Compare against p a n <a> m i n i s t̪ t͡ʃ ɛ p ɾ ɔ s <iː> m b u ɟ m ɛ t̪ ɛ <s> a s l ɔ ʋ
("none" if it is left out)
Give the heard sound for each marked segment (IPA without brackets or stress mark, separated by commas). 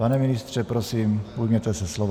ɛ, iː, s